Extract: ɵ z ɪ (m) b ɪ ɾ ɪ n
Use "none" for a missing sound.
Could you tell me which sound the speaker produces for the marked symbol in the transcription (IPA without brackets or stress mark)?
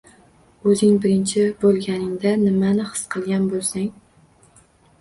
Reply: ŋ